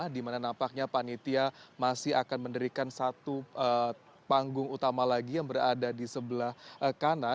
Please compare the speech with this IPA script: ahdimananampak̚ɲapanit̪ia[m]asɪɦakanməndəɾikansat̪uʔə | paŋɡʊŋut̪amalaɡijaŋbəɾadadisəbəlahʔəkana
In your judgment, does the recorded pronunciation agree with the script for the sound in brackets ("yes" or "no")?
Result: yes